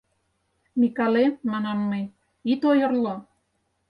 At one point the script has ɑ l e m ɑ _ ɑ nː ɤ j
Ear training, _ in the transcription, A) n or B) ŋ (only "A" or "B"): A